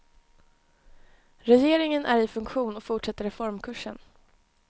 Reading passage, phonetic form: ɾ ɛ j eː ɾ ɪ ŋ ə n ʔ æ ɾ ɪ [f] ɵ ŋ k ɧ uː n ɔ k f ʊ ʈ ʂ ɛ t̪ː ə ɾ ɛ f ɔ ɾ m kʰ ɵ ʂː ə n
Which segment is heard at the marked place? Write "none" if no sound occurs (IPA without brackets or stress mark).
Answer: f